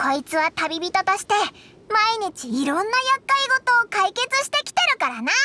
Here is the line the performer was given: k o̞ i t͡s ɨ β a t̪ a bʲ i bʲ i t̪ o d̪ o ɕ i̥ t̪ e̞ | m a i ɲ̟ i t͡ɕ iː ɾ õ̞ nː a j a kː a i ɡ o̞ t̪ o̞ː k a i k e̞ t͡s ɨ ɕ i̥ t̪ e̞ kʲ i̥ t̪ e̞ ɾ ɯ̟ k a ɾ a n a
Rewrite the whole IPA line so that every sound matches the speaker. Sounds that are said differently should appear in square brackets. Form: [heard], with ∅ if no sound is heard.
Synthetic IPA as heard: k o̞ i t͡s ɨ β a t̪ a bʲ i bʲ i t̪ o [t̪] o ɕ i̥ t̪ e̞ | m a i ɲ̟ i t͡ɕ iː ɾ õ̞ nː a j a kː a i ɡ o̞ t̪ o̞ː k a i k e̞ t͡s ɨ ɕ i̥ t̪ e̞ kʲ i̥ t̪ e̞ ɾ ɯ̟ k a ɾ a n a